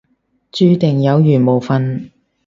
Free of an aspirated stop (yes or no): yes